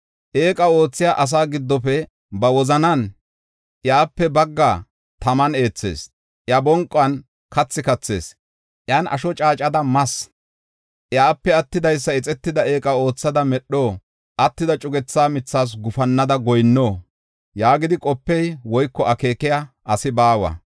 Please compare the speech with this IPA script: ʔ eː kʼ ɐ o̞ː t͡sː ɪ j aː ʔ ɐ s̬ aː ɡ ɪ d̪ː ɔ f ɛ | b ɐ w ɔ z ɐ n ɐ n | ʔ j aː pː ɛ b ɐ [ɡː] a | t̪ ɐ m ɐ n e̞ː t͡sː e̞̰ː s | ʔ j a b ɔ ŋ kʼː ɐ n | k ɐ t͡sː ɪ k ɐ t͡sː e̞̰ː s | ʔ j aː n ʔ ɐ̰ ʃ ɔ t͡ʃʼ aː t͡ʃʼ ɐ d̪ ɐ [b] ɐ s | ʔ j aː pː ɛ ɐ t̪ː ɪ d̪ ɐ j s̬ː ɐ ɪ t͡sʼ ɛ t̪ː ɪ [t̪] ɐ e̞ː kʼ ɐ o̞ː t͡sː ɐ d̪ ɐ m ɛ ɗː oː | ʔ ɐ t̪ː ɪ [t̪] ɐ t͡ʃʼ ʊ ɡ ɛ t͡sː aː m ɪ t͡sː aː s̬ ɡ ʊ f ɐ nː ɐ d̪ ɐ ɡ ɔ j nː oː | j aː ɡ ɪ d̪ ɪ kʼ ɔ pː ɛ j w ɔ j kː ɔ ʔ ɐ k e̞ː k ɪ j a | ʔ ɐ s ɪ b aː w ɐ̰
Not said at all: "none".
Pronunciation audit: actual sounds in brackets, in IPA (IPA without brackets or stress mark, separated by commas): ɡː, m, d̪, d̪